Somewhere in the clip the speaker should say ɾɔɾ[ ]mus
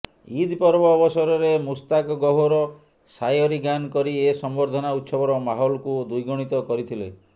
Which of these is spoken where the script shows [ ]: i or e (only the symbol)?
e